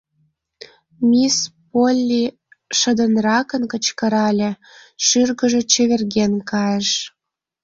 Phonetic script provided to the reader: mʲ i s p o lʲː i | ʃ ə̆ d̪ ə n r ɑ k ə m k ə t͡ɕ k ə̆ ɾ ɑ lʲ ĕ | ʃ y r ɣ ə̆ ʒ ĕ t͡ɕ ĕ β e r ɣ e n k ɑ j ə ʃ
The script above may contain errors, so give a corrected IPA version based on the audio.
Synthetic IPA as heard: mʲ i s p o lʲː i | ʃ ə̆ d̪ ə n r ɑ k ə n k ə t͡ɕ k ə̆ ɾ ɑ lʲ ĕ | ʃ y r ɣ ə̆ ʒ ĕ t͡ɕ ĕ β e r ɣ e n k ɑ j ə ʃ